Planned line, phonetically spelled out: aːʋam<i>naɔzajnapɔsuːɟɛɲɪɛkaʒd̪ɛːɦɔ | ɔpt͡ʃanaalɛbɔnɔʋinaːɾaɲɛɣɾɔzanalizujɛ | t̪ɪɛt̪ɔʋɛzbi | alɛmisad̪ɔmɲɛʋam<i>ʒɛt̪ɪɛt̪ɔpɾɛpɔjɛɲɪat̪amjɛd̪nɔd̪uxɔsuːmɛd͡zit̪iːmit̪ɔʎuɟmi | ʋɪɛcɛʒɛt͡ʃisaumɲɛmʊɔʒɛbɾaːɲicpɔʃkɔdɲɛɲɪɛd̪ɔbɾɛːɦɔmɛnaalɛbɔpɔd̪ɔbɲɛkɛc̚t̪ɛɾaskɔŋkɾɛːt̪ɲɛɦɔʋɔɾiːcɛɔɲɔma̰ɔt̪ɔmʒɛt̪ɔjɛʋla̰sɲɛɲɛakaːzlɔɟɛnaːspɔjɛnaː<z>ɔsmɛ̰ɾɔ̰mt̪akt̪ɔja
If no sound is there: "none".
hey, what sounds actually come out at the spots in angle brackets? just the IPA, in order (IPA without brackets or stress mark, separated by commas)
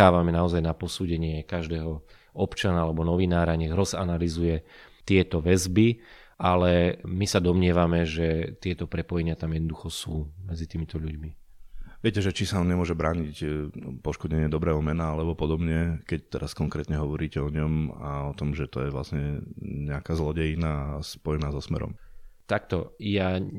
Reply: ɛ, ɛ, z